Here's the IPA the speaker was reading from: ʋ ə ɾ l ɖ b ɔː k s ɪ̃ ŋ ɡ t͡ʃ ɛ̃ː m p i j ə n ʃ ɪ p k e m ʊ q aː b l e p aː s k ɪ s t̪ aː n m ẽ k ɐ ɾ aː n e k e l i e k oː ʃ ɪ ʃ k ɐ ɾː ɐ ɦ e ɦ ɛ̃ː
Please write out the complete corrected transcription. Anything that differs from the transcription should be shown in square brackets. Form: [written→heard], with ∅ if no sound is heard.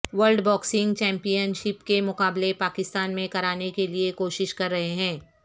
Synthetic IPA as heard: ʋ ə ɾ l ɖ b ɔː k s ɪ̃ ŋ ɡ t͡ʃ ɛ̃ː m p i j ə n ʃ ɪ p k e m ʊ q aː b l e p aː [s→∅] k ɪ s t̪ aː n m ẽ k ɐ ɾ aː n e k e l i e k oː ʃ ɪ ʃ k ɐ ɾː ɐ ɦ e ɦ ɛ̃ː